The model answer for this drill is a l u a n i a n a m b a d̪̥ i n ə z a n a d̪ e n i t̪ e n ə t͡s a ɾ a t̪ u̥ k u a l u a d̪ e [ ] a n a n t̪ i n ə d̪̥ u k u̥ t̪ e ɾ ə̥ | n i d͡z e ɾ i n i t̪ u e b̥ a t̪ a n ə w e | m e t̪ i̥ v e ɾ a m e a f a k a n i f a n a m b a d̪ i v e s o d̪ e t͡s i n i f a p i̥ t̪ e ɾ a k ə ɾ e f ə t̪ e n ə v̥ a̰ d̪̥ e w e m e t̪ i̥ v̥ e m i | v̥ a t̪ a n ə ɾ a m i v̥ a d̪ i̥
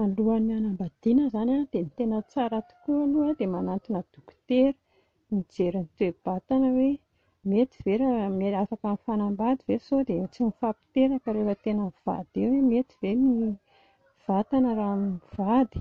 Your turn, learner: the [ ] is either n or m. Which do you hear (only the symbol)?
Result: m